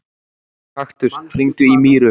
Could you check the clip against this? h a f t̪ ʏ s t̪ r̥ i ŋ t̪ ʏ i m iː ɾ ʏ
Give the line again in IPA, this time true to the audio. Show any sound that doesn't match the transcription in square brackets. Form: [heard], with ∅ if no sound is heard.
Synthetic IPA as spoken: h a [x] t̪ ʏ s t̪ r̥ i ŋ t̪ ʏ i m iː ɾ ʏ